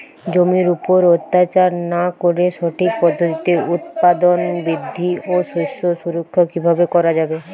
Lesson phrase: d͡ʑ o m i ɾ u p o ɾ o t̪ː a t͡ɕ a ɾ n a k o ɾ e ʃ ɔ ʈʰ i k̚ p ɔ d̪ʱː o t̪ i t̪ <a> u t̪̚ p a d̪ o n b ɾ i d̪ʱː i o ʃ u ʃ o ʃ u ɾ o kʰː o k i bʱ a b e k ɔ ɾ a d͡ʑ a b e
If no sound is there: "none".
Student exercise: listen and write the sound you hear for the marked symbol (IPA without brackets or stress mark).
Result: e